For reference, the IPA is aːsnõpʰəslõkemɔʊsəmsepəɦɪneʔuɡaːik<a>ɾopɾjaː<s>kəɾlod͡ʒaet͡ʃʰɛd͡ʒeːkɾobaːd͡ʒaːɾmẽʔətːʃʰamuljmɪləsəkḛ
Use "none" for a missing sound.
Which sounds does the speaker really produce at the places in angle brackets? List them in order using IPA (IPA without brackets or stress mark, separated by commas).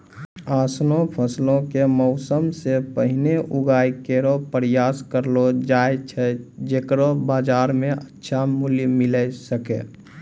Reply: e, s